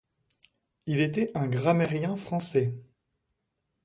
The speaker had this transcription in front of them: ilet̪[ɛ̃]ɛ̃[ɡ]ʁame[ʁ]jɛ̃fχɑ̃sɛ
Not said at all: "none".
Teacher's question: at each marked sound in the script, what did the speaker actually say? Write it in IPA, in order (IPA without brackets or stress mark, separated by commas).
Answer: ɛ, ɡ, ʁ